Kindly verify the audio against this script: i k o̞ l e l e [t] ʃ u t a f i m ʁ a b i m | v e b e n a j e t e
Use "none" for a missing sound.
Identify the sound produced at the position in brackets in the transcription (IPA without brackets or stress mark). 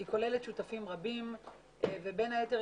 t